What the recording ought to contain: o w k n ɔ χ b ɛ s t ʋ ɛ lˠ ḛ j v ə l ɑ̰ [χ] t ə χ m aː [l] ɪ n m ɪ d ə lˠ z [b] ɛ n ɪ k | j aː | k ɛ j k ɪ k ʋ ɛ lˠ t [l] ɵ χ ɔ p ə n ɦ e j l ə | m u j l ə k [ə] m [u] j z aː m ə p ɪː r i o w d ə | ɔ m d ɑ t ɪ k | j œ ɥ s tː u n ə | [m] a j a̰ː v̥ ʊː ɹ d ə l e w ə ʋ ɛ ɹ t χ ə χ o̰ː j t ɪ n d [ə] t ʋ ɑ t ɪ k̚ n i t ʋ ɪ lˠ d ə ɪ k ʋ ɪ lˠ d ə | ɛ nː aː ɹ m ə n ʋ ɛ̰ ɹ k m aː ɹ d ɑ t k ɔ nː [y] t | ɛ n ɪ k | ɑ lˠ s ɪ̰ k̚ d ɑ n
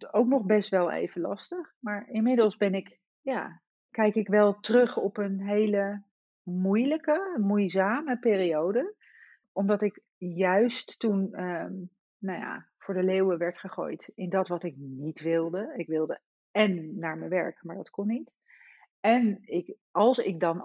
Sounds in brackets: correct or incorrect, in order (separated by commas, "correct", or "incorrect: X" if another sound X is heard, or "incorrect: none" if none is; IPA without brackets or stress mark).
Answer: incorrect: s, incorrect: ɹ, correct, incorrect: r, correct, correct, incorrect: n, incorrect: ɑ, incorrect: i